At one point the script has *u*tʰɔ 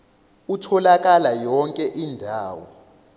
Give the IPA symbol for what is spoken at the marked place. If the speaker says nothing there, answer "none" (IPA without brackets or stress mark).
u